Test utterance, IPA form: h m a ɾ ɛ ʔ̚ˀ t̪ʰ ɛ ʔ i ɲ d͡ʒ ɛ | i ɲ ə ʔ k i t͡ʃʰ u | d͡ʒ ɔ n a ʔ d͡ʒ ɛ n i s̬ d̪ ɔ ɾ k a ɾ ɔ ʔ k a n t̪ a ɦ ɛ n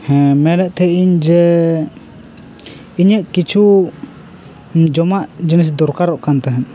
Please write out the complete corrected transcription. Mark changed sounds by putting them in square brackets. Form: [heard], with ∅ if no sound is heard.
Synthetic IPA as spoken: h m [ɛ] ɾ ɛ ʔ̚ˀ t̪ʰ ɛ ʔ i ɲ d͡ʒ ɛ | i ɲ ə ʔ k i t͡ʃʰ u | d͡ʒ ɔ [m] a ʔ d͡ʒ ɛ n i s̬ d̪ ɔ ɾ k a ɾ ɔ ʔ k a n t̪ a ɦ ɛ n